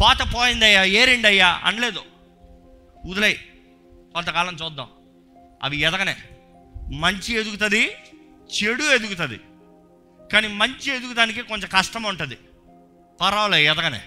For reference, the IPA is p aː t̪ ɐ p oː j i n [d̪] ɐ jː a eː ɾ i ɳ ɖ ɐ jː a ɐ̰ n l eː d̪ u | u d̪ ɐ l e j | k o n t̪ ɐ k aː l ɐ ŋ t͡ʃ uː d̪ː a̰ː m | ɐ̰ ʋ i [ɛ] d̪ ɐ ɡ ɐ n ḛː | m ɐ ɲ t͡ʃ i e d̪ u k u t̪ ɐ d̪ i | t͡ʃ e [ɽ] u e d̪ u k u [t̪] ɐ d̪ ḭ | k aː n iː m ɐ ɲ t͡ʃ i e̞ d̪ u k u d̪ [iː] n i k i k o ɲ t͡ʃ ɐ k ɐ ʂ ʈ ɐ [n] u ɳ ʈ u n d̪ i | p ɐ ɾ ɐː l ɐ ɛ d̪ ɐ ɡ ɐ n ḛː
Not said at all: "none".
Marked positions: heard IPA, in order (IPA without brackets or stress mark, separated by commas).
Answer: d̪, ɛ, ɽ, t̪, aː, m